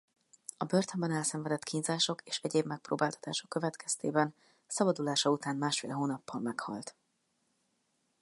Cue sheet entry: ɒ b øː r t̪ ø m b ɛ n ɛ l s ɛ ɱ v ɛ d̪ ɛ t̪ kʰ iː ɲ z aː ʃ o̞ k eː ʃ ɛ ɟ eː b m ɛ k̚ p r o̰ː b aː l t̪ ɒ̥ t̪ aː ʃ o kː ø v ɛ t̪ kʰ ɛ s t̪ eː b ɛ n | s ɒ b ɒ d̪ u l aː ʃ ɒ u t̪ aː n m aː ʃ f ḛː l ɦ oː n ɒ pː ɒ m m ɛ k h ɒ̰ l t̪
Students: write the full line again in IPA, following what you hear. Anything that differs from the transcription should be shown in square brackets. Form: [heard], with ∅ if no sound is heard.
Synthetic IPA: ɒ b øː r t̪ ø m b ɛ n ɛ l s ɛ ɱ v ɛ d̪ ɛ t̪ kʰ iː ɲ z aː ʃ o̞ k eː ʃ ɛ ɟ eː b m ɛ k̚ p r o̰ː b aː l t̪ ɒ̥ t̪ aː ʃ o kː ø v ɛ t̪ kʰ ɛ s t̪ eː b ɛ n | s ɒ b ɒ d̪ u l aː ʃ ɒ u t̪ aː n m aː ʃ f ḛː l ɦ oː n ɒ pː ɒ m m ɛ k h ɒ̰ l t̪